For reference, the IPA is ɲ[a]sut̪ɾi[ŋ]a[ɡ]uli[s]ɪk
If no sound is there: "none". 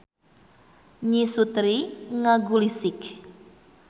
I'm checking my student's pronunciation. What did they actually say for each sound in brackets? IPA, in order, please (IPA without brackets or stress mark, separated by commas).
i, ŋ, ɡ, s